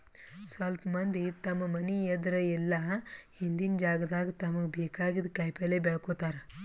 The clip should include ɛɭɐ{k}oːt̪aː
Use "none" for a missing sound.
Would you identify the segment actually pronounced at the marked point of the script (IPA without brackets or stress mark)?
k